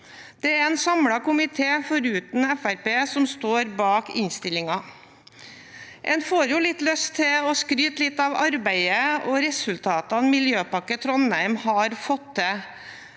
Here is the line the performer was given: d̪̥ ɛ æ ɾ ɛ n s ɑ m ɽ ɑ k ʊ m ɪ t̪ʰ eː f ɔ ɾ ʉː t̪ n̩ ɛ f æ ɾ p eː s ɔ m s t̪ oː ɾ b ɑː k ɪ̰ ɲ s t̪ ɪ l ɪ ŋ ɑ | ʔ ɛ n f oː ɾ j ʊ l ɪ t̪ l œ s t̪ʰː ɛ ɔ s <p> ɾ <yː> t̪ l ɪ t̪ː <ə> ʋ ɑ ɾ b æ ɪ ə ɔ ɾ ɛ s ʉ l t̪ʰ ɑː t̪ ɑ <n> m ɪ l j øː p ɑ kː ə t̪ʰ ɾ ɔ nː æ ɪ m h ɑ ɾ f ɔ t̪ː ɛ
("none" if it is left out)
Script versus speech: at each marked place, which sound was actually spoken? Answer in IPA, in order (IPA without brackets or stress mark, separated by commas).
k, yː, ɑ, n